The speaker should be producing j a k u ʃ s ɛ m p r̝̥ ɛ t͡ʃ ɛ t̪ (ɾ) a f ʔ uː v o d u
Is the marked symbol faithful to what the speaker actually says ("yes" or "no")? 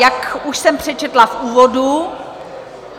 no